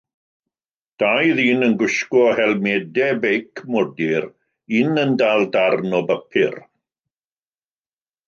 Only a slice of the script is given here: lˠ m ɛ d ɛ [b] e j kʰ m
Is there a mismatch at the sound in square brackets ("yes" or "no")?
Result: no